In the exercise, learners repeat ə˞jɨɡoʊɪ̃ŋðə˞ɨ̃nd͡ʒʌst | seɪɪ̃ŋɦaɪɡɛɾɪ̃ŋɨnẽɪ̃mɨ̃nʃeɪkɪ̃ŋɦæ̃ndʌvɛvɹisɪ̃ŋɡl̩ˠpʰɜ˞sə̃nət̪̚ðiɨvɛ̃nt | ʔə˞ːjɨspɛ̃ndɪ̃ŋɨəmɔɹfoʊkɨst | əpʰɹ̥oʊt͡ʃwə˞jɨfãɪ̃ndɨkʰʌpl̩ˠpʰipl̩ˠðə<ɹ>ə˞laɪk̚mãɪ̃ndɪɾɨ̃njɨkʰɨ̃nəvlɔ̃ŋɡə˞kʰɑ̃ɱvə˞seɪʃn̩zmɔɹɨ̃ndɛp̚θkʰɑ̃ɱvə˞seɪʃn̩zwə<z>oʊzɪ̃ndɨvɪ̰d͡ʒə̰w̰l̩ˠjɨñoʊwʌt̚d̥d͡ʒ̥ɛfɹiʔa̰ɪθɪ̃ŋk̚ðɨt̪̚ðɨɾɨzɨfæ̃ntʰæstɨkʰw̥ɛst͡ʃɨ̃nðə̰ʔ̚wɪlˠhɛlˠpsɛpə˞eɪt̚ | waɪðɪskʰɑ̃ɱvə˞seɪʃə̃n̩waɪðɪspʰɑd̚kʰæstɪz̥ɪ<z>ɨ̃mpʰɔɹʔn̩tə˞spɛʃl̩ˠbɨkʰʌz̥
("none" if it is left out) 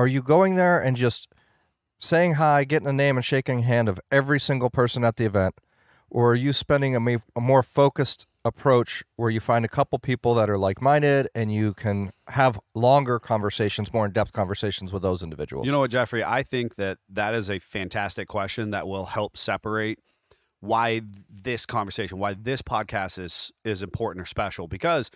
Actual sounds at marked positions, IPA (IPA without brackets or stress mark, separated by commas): ɾ, ð, z